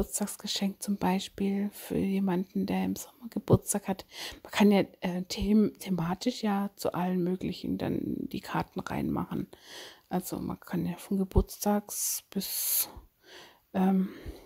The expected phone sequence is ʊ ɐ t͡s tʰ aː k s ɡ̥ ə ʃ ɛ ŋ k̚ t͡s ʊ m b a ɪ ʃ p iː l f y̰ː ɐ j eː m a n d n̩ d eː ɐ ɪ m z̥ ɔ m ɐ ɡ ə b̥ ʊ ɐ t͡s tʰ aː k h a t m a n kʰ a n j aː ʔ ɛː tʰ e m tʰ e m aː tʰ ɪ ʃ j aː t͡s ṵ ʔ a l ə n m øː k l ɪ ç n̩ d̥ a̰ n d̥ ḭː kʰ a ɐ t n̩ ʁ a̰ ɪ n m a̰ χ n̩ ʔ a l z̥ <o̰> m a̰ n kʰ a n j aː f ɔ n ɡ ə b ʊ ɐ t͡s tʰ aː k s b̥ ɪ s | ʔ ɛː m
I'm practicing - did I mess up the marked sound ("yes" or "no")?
no